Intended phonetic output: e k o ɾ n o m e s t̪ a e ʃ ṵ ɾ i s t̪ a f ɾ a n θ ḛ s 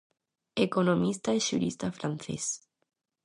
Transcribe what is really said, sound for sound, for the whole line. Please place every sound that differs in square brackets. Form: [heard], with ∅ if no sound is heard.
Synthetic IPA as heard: e k o [∅] n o m [i] s t̪ a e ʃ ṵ ɾ i s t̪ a f ɾ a n θ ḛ s